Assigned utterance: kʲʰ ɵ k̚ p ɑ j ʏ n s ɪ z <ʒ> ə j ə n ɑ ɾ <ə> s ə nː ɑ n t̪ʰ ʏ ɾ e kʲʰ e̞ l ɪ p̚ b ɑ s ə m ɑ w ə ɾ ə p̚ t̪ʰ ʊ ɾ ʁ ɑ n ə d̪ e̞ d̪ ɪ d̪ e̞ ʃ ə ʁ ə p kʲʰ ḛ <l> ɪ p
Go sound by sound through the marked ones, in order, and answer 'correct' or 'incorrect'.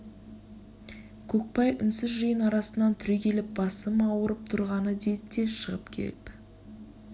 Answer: correct, incorrect: ɑ, correct

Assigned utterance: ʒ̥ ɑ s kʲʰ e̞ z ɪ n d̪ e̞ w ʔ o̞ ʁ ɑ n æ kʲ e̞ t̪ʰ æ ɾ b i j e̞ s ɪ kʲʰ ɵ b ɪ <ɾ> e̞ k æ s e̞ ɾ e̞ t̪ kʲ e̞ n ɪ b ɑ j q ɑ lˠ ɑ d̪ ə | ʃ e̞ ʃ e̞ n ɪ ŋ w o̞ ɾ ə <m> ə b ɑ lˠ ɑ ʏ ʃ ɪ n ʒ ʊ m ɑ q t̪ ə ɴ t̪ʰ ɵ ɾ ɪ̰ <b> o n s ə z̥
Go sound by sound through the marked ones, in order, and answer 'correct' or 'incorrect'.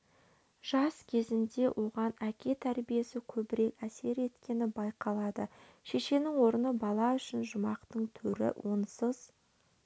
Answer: correct, incorrect: n, incorrect: w

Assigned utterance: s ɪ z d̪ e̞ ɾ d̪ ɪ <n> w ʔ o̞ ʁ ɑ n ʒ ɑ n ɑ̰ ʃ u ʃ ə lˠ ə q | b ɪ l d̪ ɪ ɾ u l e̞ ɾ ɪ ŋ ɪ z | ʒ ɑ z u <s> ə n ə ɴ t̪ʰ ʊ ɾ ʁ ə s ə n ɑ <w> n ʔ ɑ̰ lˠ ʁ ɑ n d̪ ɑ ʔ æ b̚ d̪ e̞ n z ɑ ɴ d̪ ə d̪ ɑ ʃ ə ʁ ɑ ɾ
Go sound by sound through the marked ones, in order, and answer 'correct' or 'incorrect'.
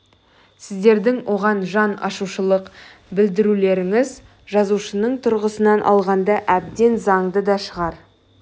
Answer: incorrect: ŋ, incorrect: ʃ, incorrect: none

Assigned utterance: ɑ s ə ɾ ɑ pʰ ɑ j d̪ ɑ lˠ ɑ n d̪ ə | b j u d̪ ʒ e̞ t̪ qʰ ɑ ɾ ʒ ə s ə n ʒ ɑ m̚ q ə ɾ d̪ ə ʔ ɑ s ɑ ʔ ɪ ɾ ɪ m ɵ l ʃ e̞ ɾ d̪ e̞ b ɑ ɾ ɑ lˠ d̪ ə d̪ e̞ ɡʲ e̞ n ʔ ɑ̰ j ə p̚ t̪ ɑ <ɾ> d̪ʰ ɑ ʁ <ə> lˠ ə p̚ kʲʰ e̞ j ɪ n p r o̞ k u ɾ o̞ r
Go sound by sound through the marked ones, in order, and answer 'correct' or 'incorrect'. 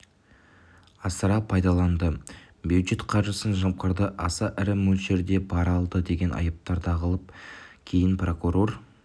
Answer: correct, correct

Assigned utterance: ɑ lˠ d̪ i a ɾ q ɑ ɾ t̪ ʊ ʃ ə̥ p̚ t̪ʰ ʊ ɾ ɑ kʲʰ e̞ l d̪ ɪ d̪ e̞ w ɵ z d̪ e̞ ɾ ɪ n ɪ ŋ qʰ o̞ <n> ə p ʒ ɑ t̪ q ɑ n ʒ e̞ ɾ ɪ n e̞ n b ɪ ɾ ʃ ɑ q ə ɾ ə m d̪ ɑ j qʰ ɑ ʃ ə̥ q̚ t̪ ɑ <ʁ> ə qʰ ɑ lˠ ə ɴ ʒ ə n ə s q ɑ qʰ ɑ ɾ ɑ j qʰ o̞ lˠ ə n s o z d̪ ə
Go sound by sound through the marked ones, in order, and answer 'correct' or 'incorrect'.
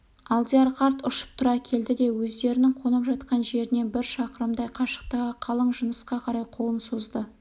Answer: correct, correct

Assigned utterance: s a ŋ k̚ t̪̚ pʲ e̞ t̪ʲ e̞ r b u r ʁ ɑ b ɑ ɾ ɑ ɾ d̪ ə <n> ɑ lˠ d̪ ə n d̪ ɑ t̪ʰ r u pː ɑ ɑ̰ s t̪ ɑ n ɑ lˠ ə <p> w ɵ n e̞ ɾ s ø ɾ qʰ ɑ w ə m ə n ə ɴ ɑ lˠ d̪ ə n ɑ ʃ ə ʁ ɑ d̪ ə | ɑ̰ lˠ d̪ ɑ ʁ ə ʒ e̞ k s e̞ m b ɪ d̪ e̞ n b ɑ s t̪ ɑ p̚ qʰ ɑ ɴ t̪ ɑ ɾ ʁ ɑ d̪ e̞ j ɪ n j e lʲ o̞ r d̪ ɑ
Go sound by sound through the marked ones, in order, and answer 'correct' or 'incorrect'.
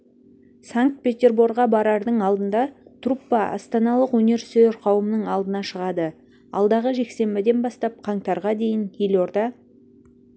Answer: incorrect: ɴ, incorrect: q

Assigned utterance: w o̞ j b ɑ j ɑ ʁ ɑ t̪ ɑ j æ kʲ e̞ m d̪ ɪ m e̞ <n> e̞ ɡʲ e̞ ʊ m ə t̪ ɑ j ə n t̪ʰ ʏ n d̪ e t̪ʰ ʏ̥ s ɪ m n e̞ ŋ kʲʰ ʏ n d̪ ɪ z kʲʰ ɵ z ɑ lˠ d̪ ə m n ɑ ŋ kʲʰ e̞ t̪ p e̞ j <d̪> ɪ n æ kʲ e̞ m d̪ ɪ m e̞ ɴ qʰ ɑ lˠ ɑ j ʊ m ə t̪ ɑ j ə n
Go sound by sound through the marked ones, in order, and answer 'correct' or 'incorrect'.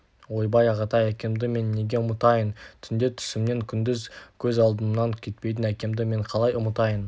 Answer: incorrect: nː, incorrect: t̪

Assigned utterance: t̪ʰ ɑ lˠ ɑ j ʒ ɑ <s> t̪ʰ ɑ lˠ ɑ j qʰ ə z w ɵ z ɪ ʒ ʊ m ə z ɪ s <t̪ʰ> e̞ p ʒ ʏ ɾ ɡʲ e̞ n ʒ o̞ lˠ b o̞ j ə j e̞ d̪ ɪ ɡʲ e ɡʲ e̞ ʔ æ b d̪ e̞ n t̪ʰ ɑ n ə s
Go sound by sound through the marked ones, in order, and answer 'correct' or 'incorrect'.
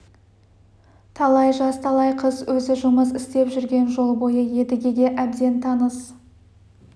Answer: correct, incorrect: t̪

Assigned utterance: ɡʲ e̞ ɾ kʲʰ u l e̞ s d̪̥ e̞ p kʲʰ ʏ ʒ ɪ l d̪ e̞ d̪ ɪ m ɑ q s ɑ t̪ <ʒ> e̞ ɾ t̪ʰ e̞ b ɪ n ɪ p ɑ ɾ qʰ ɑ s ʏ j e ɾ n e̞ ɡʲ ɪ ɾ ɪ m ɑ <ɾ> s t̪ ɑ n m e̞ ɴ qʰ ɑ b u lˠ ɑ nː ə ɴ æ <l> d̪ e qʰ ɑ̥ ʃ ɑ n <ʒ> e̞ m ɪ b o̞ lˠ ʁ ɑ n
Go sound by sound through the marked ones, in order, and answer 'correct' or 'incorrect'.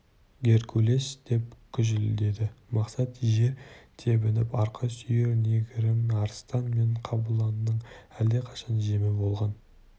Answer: correct, correct, correct, correct

